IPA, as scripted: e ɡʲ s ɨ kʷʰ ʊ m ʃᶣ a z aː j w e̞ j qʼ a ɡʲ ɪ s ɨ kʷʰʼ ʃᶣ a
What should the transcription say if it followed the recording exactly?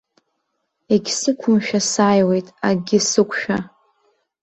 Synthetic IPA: e ɡʲ s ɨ kʷʰ ʊ m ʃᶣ a s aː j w e̞ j tʼ a ɡʲ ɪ s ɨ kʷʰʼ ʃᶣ a